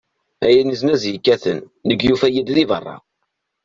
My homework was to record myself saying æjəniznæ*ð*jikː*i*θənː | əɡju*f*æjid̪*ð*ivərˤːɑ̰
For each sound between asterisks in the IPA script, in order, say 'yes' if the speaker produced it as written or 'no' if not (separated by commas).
no, no, yes, yes